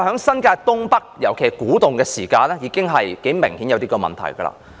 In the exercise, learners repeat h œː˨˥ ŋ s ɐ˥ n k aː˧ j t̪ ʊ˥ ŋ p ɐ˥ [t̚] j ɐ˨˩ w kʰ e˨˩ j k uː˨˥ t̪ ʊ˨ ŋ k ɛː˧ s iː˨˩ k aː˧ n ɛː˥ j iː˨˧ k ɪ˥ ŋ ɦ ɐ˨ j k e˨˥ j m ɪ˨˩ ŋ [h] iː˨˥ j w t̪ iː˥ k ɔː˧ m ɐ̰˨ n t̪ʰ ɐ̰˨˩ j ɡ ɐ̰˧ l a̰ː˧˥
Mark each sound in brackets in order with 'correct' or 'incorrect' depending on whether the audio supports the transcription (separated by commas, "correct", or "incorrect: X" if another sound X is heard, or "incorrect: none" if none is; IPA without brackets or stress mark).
incorrect: k̚, correct